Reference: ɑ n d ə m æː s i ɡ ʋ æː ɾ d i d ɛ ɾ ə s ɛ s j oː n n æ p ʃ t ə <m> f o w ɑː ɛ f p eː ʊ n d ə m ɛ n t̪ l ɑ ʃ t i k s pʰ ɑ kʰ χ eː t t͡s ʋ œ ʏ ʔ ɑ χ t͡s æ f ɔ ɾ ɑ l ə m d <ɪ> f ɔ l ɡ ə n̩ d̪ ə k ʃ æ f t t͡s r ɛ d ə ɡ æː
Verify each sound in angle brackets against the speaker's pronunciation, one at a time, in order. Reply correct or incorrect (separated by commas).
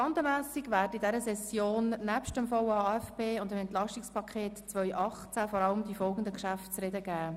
correct, incorrect